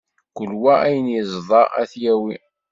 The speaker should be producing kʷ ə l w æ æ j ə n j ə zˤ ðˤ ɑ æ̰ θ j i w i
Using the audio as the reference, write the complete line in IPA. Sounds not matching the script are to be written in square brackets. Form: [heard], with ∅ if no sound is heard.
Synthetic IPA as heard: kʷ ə l w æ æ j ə n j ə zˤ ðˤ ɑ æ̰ θ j [æ] w i